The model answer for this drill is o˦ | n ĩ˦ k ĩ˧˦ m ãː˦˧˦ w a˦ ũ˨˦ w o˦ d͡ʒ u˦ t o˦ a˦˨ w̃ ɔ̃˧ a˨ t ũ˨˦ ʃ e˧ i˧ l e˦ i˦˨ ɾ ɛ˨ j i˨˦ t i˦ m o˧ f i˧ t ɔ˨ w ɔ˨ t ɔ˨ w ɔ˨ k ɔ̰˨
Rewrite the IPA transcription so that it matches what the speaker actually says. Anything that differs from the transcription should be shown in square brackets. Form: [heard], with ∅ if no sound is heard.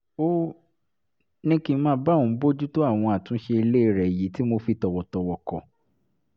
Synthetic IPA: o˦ | n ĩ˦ k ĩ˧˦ m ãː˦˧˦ [b] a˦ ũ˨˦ [b] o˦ d͡ʒ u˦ t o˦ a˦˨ w̃ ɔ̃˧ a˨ t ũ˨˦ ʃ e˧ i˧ l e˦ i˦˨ ɾ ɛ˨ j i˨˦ t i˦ m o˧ f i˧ t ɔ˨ w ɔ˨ t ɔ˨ w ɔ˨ k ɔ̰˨